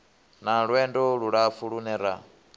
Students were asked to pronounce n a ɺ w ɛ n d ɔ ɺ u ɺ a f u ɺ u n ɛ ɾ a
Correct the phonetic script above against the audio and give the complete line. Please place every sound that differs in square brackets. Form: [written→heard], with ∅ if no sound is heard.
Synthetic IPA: n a ɺ w ɛ n d ɔ ɺ u ɺ a f u ɺ u n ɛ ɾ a